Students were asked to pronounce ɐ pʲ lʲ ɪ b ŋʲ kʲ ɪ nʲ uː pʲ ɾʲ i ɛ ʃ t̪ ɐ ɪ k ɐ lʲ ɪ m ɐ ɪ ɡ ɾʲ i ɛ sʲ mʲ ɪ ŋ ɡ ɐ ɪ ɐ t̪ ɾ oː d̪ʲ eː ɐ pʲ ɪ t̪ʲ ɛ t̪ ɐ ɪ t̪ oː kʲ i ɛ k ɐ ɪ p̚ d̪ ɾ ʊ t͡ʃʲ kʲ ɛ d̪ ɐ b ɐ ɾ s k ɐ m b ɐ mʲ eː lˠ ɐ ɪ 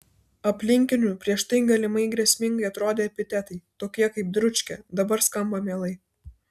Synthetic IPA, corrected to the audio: ɐ pʲ lʲ ɪ ŋʲ kʲ ɪ nʲ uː pʲ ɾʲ i ɛ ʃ t̪ ɐ ɪ ɡ ɐ lʲ ɪ m ɐ ɪ ɡ ɾʲ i ɛ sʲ mʲ ɪ ŋ ɡ ɐ ɪ ɐ t̪ ɾ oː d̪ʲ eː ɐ pʲ ɪ t̪ʲ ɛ t̪ ɐ ɪ t̪ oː kʲ i ɛ k ɐ ɪ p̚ d̪ ɾ ʊ t͡ʃʲ kʲ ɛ d̪ ɐ b ɐ ɾ s k ɐ m b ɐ mʲ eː lˠ ɐ ɪ